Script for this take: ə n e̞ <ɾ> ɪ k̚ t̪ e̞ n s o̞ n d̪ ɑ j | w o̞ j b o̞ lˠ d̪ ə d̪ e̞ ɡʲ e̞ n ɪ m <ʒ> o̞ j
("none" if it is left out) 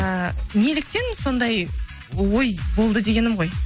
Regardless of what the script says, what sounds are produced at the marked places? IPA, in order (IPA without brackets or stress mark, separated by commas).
l, ʁ